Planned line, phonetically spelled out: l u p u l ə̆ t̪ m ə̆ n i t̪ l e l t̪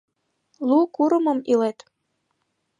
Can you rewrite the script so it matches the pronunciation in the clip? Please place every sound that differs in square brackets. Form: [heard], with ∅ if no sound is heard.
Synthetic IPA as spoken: l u [k] u [ɾ] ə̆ [∅] m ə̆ [m] i [∅] l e [∅] t̪